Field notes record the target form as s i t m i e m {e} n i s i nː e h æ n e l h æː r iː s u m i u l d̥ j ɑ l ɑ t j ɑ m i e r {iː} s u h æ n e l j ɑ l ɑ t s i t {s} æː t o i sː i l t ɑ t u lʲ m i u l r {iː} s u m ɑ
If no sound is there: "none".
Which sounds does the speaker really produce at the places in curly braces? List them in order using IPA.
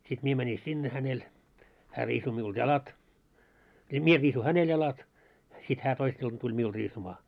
æ, iː, h, iː

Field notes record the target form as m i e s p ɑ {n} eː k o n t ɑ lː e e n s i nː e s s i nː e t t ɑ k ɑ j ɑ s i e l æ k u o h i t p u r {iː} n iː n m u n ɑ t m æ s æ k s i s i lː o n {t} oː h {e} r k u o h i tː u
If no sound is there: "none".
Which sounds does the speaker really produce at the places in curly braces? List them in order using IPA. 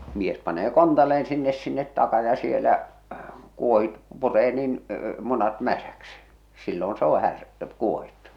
n, eː, s, æ

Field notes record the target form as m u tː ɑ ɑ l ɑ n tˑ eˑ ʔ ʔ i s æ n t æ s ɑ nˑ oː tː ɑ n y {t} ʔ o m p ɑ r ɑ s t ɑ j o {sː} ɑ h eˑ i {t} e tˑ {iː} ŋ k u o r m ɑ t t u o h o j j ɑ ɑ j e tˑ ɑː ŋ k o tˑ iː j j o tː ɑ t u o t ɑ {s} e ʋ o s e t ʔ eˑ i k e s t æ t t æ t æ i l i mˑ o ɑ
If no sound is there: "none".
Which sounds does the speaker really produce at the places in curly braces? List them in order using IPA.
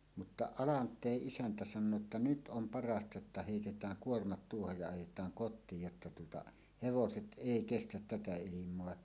t, tː, t, æː, h

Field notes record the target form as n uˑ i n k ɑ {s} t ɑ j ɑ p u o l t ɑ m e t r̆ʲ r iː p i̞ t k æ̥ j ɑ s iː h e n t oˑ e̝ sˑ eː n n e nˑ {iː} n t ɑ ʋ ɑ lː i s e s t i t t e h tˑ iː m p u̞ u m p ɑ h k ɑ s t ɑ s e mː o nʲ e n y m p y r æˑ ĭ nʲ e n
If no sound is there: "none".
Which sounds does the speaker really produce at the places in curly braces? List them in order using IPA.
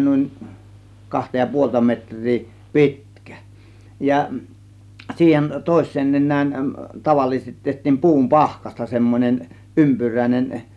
h, æː

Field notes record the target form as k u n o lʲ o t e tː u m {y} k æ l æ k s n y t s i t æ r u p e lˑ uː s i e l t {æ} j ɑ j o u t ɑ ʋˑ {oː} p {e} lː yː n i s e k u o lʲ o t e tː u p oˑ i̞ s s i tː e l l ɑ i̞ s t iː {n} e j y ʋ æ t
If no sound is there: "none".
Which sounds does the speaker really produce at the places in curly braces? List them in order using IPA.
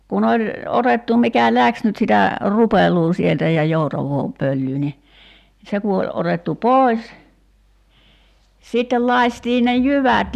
i, æ, oː, ø, n

